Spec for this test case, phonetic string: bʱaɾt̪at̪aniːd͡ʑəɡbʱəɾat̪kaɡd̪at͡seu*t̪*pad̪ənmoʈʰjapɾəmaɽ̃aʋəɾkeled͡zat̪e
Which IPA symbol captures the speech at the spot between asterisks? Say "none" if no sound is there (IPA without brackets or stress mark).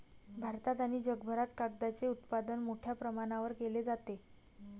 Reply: t̪